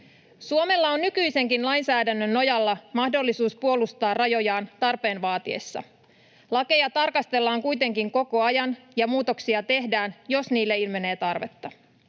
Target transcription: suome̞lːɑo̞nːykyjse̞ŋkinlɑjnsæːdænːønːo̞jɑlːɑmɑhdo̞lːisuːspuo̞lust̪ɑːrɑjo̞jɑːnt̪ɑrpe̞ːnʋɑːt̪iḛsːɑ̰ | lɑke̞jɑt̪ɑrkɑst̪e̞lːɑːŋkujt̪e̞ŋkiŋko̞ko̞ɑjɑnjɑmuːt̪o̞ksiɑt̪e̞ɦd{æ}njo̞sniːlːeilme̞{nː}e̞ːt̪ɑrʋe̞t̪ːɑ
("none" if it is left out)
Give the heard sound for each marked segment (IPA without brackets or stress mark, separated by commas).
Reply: æː, n